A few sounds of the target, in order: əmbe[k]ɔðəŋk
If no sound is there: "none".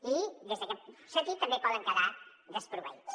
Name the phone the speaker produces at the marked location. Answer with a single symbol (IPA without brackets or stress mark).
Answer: p